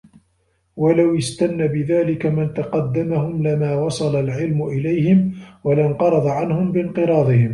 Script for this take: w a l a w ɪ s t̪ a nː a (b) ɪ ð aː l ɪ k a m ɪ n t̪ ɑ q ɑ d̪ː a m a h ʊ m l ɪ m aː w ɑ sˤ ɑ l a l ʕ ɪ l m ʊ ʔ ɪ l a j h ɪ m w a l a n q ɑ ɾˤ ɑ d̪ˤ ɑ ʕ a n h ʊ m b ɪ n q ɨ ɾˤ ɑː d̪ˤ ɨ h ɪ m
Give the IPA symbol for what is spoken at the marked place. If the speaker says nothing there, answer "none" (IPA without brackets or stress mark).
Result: b